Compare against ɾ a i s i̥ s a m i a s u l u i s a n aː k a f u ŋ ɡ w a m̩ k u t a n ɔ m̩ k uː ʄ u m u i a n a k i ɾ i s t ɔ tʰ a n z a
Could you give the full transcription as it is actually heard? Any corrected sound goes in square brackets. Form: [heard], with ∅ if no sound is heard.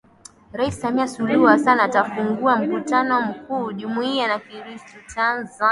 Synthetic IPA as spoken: ɾ a i s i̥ s a m i a s u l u [a] s a n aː [t] a f u ŋ ɡ [u] a m̩ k u t a n ɔ m̩ k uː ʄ u m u i a n a k i ɾ i s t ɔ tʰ a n z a